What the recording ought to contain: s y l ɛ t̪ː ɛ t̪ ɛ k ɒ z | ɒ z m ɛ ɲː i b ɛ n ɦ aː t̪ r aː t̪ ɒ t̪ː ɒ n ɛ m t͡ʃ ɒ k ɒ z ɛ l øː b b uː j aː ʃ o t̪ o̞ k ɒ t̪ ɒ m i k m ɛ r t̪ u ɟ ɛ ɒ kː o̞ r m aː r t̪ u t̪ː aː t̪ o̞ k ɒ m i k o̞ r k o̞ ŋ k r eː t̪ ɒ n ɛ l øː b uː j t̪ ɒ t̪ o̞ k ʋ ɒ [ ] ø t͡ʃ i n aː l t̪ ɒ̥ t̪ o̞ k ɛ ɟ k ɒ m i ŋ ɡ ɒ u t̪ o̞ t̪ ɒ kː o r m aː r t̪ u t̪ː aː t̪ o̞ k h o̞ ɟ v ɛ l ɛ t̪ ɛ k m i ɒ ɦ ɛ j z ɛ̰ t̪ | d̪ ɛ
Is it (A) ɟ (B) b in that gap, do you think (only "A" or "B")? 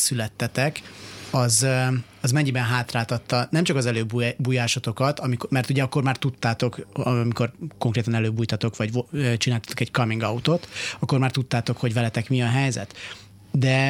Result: A